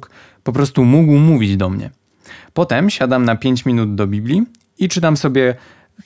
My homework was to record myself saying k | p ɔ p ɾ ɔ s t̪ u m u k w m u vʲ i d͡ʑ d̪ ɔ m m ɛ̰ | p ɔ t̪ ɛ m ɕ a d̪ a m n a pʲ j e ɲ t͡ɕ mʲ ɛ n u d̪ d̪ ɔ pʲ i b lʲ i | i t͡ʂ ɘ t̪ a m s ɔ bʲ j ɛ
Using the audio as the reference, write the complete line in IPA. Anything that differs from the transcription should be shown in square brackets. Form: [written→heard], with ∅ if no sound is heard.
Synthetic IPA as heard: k | p ɔ p ɾ ɔ s t̪ u m u [k→ɡ] w m u vʲ i d͡ʑ d̪ ɔ m [m→ɲ] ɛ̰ | p ɔ t̪ ɛ m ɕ a d̪ a m n a pʲ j e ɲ t͡ɕ mʲ [ɛ→i] n u d̪ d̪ ɔ [pʲ→bʲ] i b lʲ i | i t͡ʂ ɘ t̪ a m s ɔ bʲ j ɛ